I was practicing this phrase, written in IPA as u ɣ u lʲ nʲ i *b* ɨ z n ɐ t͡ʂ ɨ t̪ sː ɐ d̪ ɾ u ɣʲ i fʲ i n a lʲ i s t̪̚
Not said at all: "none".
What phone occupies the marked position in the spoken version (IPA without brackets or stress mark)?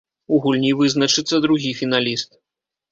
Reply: v